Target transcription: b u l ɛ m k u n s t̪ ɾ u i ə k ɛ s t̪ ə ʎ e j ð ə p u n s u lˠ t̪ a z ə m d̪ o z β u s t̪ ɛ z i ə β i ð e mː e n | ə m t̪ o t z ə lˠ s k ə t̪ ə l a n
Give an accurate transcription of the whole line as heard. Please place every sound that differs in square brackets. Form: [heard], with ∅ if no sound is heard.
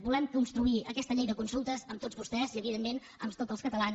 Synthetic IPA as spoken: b u l ɛ m k u n s t̪ ɾ u i ə k ɛ s t̪ ə ʎ e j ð ə [k] u n s u lˠ t̪ [ə] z ə m [t̪] o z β u s t̪ ɛ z i ə β i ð e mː e n | ə m t̪ o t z ə lˠ s k ə t̪ ə l a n